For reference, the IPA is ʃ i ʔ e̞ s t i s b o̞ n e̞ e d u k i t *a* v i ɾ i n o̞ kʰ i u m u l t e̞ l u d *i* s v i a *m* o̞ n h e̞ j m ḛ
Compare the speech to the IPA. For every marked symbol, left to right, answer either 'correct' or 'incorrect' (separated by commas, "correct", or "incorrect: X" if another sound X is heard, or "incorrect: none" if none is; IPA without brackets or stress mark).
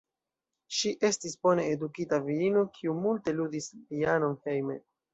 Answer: correct, correct, incorrect: n